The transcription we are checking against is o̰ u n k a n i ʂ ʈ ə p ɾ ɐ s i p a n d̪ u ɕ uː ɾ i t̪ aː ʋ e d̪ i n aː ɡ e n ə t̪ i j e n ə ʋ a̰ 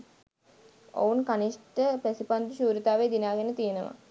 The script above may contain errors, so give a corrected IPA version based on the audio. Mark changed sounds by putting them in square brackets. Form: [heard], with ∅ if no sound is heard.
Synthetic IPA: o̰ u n k a n i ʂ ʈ ə p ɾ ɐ s i p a n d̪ u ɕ uː ɾ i t̪ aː ʋ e d̪ i n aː ɡ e n ə t̪ i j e n ə ʋ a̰

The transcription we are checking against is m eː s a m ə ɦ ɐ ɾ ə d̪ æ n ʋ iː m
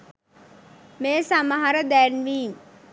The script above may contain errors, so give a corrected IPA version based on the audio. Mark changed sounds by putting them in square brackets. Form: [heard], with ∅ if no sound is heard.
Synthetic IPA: m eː s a m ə ɦ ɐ ɾ ə d̪ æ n ʋ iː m

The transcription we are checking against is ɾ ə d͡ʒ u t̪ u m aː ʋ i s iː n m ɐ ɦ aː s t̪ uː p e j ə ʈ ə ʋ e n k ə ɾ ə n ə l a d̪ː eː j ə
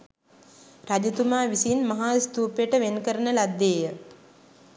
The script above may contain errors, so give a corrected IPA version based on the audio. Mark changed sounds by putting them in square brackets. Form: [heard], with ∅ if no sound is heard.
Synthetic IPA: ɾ [a] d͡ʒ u t̪ u m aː ʋ i s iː n m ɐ ɦ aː s t̪ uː p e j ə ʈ ə ʋ e n k ə ɾ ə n ə l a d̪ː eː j ə

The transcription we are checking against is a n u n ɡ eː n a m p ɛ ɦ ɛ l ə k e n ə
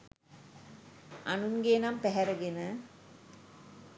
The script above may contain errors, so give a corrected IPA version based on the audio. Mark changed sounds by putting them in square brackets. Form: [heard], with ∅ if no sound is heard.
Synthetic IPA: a n u [ŋ] ɡ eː n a m p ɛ ɦ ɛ [ɾ] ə [ɡ] e n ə

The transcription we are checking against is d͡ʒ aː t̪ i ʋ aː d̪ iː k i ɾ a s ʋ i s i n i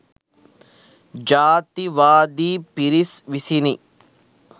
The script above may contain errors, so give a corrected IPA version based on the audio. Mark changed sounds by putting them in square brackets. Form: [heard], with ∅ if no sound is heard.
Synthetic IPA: d͡ʒ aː t̪ i ʋ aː d̪ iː [p] i ɾ [i] s ʋ i s i n i

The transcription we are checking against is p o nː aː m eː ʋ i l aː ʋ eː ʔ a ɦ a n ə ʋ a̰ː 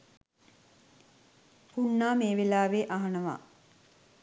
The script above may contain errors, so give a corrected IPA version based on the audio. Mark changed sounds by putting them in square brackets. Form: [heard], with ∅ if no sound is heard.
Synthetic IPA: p [u] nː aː m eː ʋ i l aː ʋ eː ʔ a ɦ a n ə ʋ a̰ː

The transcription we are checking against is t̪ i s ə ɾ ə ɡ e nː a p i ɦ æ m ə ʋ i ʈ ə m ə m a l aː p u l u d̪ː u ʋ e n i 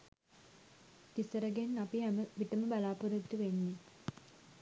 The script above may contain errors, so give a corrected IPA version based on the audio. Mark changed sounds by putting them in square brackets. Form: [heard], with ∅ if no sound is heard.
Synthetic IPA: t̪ i s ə ɾ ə ɡ e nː a p i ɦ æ m ə ʋ i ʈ ə m ə [b] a l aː p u [ɾ] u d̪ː u ʋ e [nː] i

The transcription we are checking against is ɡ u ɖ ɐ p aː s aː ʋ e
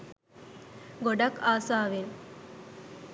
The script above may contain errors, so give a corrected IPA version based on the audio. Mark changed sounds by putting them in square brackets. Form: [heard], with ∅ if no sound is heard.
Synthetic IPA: ɡ [o] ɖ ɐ [k] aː s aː ʋ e

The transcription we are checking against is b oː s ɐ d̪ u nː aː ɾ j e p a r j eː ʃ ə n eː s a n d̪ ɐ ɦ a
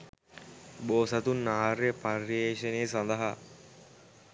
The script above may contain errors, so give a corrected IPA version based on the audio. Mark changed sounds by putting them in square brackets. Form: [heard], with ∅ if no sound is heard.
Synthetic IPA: b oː s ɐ [t̪] u nː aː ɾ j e p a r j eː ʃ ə n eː s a n d̪ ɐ ɦ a

